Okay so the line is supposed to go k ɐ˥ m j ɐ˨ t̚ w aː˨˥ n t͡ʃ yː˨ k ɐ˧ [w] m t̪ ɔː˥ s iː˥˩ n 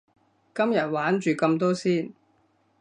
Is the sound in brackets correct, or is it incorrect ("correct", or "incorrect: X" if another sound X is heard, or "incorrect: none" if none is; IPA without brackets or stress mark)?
incorrect: none